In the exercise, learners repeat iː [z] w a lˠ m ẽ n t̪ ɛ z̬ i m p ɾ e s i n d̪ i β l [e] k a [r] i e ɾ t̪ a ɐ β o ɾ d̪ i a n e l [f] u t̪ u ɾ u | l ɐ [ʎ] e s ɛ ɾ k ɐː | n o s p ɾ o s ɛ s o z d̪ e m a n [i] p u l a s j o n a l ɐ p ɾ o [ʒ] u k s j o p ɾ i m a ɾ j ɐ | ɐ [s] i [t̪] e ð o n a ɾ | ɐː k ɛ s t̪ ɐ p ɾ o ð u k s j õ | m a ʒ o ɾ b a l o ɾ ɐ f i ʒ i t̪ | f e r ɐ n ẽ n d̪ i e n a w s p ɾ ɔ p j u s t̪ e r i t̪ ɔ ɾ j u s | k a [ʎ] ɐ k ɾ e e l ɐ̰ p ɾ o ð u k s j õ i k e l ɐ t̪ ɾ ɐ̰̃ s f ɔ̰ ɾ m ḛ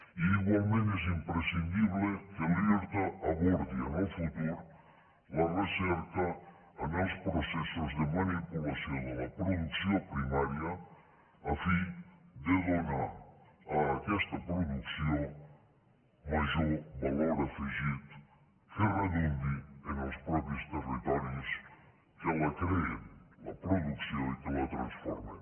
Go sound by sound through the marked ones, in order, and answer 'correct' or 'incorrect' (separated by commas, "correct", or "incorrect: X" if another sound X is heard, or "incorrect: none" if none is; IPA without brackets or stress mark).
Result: incorrect: ɣ, correct, incorrect: l, correct, incorrect: r, correct, incorrect: ð, incorrect: f, incorrect: d̪, incorrect: l